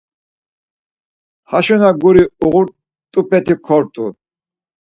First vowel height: low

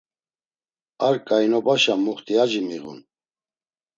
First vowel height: low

